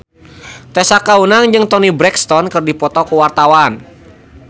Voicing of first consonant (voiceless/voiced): voiceless